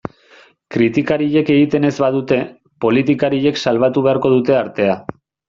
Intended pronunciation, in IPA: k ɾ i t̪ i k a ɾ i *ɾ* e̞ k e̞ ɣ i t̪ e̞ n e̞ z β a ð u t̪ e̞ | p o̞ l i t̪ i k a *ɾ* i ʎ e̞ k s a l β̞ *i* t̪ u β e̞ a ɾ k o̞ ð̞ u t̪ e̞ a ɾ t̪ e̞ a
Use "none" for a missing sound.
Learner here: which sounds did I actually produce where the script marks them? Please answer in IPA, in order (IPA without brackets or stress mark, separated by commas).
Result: ʎ, ɾ, a